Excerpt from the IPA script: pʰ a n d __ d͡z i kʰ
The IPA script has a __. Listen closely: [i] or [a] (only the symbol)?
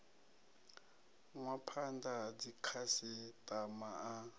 a